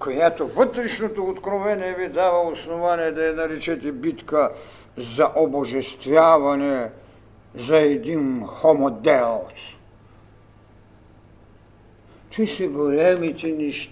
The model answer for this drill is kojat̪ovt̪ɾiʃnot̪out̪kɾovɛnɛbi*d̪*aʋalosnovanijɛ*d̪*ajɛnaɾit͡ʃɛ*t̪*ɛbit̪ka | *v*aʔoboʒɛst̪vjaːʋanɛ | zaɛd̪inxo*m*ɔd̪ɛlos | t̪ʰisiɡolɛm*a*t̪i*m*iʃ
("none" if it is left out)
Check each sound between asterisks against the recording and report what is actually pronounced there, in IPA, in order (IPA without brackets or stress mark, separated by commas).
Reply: d̪, d̪, t̪, z, m, i, n